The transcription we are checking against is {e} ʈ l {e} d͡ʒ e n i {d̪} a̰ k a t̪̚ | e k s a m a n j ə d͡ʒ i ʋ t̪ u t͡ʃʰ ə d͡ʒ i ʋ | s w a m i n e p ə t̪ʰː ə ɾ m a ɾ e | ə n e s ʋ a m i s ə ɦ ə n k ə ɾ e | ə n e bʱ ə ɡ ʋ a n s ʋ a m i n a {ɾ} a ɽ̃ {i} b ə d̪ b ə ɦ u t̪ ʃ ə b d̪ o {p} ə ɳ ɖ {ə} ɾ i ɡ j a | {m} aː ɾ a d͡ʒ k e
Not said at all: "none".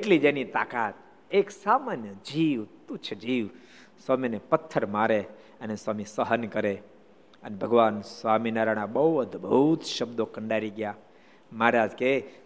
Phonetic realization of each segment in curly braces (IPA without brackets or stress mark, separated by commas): e, i, t̪, ɾ, a, k, a, m